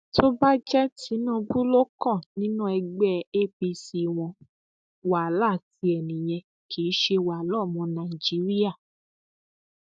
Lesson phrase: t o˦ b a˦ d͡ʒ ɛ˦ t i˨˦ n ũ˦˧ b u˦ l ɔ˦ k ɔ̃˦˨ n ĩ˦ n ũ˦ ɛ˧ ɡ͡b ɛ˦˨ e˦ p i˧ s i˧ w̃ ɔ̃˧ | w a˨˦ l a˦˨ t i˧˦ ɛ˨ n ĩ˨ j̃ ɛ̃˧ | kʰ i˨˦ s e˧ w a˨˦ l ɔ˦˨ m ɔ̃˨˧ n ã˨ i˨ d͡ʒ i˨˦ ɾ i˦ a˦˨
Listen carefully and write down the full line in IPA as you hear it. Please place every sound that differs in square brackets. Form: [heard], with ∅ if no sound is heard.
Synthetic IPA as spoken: t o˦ b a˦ d͡ʒ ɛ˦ t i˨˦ n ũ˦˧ b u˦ l [o˦] k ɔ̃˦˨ n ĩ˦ n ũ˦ ɛ˧ ɡ͡b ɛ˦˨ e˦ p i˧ s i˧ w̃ ɔ̃˧ | w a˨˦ l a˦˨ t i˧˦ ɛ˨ n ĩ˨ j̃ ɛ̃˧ | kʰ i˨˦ [ʃ] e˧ w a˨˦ l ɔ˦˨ m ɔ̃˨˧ n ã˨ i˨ d͡ʒ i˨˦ ɾ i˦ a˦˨